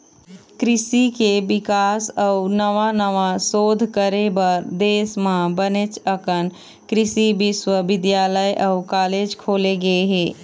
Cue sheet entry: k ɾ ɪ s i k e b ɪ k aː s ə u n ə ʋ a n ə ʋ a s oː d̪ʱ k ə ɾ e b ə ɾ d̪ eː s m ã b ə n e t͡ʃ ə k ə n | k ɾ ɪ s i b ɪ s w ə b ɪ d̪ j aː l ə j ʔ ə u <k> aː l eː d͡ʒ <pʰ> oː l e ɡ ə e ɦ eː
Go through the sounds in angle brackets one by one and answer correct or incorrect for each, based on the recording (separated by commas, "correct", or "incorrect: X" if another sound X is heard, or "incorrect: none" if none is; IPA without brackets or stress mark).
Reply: correct, incorrect: kʰ